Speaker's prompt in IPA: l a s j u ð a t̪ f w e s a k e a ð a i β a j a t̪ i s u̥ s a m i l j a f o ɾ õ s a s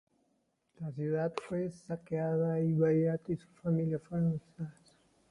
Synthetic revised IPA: l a s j u ð a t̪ f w e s a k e a ð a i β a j a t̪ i s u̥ f a m i l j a f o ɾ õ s a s